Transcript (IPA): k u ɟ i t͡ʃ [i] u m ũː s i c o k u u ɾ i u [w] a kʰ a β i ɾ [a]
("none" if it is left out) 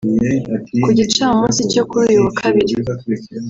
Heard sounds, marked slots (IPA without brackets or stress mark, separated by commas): a, w, i